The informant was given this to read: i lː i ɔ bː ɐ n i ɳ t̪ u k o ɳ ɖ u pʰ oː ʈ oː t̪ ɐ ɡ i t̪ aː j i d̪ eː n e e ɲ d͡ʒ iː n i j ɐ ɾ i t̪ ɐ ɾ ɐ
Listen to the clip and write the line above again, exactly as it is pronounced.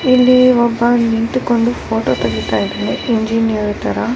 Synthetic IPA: i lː i ɔ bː ɐ n i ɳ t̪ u k o ɳ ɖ u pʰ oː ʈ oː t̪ ɐ ɡ i t̪ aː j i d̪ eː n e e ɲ d͡ʒ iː n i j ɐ ɾ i t̪ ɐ ɾ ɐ